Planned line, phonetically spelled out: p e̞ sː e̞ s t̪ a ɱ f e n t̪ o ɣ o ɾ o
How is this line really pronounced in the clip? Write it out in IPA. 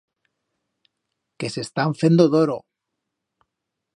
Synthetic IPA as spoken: k e̞ s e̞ s t̪ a ɱ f e n d̪ o ð o ɾ o